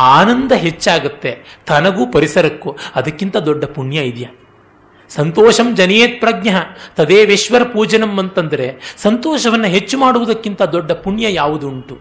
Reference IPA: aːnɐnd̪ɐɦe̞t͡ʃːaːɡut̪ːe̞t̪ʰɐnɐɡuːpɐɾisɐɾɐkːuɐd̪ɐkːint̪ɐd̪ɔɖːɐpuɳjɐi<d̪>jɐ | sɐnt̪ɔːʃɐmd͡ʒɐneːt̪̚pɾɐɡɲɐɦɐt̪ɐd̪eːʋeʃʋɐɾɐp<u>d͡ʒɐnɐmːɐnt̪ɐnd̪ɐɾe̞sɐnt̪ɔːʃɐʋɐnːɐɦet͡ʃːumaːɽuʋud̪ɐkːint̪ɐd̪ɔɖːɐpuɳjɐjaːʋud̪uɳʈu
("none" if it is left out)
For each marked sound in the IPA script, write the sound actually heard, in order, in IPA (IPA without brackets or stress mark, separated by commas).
d̪, uː